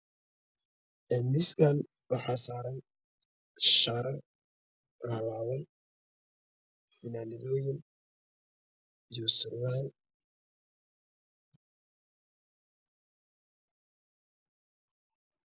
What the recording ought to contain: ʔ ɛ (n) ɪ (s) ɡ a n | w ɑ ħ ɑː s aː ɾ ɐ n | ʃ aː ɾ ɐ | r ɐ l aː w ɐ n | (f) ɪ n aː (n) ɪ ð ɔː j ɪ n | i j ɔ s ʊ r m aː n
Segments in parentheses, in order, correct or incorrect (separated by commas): incorrect, correct, correct, correct